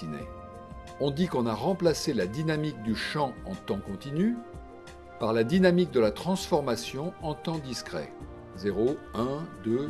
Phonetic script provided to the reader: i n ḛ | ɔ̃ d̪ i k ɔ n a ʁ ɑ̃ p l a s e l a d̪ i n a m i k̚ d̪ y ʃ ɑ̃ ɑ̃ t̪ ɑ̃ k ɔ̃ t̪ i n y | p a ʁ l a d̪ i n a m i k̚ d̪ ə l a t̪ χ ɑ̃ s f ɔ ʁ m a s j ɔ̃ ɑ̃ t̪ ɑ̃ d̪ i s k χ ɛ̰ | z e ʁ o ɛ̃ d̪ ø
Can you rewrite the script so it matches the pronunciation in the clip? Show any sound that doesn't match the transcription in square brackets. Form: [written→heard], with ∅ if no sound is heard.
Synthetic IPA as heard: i n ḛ | ɔ̃ d̪ i k [ɔ→ɔ̃] n a ʁ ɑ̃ p l a s e l a d̪ i n a m i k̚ d̪ y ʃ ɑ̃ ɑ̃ t̪ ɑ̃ k ɔ̃ t̪ i n y | p a ʁ l a d̪ i n a m i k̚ d̪ ə l a t̪ χ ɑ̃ s f ɔ ʁ m a s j ɔ̃ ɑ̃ t̪ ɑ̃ d̪ i s k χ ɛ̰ | z e ʁ o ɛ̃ d̪ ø